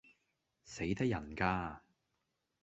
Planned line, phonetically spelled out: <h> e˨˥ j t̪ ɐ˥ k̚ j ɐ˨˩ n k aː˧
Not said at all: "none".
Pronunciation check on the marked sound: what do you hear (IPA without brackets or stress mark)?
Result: s